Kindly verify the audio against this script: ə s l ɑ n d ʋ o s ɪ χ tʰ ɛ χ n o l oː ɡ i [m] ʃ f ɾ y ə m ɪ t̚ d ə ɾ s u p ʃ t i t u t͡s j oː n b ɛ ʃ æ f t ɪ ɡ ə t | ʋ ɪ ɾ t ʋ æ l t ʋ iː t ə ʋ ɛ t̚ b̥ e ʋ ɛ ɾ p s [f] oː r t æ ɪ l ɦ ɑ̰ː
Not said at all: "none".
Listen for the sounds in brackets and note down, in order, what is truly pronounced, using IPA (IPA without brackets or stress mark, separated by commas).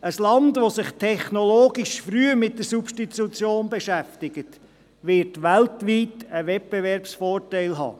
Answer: none, f